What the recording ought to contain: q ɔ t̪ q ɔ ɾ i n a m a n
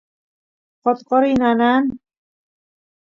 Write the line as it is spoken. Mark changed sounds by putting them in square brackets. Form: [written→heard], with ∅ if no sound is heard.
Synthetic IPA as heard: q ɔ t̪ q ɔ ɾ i n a [m→n] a n